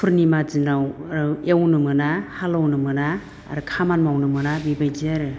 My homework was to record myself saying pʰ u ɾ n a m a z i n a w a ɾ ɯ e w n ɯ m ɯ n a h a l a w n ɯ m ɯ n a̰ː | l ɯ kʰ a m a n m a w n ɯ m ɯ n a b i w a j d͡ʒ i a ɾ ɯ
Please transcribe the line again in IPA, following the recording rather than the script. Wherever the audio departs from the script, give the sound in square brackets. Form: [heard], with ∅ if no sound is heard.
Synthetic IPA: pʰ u ɾ n [i] m a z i n a w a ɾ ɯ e w n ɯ m ɯ n a h a l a w n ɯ m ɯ n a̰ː | [ɾ] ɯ kʰ a m a n m a w n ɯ m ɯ n a b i [b] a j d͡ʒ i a ɾ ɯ